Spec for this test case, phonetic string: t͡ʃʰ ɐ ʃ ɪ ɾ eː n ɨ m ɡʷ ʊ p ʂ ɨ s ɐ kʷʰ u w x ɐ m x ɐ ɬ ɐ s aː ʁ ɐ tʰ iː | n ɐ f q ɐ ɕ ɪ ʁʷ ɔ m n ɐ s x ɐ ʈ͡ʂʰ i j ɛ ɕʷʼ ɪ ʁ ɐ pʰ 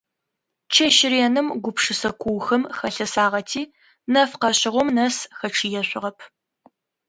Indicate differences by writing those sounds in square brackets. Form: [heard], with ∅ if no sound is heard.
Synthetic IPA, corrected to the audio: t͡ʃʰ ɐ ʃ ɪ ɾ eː n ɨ m ɡʷ ʊ p ʂ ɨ s ɐ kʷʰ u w x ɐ m x ɐ ɬ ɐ s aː ʁ ɐ tʰ iː | n ɐ f q ɐ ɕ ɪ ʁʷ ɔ m n ɐ s x ɐ ʈ͡ʂʰ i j ɛ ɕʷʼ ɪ ʁ ɐ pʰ